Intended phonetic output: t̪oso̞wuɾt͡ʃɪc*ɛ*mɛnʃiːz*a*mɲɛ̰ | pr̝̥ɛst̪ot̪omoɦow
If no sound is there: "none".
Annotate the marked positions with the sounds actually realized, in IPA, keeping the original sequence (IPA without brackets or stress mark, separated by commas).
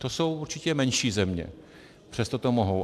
ɛ, ɛ